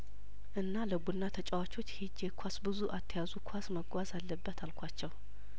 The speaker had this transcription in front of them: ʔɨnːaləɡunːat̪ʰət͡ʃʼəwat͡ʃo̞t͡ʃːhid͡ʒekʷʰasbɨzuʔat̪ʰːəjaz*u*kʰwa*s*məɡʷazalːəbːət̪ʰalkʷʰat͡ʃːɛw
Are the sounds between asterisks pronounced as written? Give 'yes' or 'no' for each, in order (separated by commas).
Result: yes, yes